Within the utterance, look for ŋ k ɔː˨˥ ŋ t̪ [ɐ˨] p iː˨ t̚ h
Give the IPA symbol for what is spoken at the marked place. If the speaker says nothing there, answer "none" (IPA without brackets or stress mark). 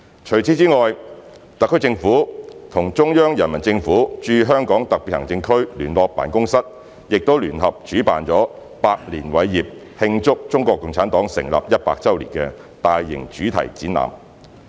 ɐ˨